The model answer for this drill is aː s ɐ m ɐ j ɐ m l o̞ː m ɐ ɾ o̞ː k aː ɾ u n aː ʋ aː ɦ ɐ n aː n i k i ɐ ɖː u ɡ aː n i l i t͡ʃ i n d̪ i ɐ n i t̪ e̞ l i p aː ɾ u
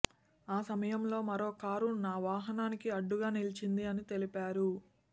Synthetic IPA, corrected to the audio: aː s ɐ m ɐ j ɐ m l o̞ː m ɐ ɾ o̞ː k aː ɾ u n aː ʋ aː ɦ ɐ n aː n i k i ɐ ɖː u ɡ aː n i l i t͡ʃ i n d̪ i ɐ n i t̪ e̞ l i p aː ɾ u

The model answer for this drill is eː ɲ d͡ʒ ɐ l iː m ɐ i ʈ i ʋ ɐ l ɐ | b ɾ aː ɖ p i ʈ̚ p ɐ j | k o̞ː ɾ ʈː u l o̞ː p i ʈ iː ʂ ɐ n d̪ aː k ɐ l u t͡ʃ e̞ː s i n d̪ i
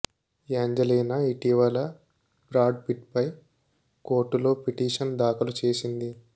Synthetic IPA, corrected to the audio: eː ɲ d͡ʒ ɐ l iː n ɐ i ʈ i ʋ ɐ l ɐ | b ɾ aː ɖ p i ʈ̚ p ɐ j | k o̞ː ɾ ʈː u l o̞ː p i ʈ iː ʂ ɐ n d̪ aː k ɐ l u t͡ʃ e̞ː s i n d̪ i

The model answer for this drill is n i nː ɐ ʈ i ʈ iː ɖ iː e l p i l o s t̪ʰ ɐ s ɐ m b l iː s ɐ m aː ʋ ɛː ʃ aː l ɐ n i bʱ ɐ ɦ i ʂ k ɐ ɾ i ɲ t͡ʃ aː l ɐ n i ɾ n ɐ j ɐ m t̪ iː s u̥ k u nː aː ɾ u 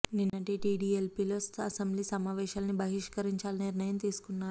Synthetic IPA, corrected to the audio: n i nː ɐ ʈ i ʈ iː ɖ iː e l p i l o s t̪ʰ ɐ s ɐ m b l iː s ɐ m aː ʋ ɛː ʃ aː l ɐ n i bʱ ɐ ɦ i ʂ k ɐ ɾ i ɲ t͡ʃ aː l ɐ n i ɾ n ɐ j ɐ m t̪ iː s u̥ k u nː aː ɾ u

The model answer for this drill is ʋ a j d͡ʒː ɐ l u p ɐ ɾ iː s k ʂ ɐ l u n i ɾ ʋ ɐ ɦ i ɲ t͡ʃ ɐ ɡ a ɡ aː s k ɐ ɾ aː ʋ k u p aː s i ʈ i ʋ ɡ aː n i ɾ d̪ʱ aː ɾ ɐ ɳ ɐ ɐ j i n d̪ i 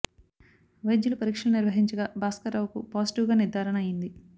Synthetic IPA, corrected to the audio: ʋ ɐ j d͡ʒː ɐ l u p ɐ ɾ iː k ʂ ɐ l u n i ɾ ʋ ɐ ɦ i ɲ t͡ʃ ɐ ɡ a b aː s k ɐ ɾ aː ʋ k u p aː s i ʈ i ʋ ɡ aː n i ɾ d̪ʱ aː ɾ ɐ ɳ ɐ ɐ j i n d̪ i

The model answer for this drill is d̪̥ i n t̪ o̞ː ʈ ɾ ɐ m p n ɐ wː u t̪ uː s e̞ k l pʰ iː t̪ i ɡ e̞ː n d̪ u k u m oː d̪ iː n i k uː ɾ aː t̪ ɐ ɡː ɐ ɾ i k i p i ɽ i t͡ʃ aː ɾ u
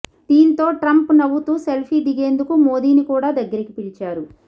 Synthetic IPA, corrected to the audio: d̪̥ iː n t̪ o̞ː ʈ ɾ ɐ m p n ɐ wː u t̪ uː s e̞ l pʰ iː d̪ i ɡ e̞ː n d̪ u k u m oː d̪ iː n i k uː ɽ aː d̪ ɐ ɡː ɐ ɾ i k i p i ɽ i t͡ʃ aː ɾ u

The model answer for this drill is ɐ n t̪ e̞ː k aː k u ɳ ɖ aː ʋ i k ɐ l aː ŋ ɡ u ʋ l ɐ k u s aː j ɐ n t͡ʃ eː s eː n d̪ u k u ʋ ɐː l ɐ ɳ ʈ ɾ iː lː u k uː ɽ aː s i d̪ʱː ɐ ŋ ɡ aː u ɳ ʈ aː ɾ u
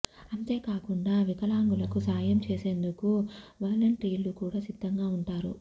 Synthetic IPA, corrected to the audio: ɐ n t̪ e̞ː k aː k u ɳ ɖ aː ʋ i k ɐ l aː ŋ ɡ u l ɐ k u s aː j ɐ m t͡ʃ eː s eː n d̪ u k u ʋ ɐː l ɐ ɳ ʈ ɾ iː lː u k uː ɽ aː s i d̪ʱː ɐ ŋ ɡ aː u ɳ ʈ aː ɾ u

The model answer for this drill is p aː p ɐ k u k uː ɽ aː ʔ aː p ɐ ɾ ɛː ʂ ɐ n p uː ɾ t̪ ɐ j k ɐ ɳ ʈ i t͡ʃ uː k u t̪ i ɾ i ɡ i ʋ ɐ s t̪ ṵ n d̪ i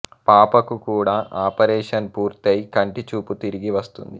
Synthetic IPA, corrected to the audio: p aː p ɐ k u k uː ɽ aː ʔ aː p ɐ ɾ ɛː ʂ ɐ n p uː ɾ t̪ ɐ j k ɐ ɳ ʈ i t͡ʃ uː p u t̪ i ɾ i ɡ i ʋ ɐ s t̪ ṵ n d̪ i

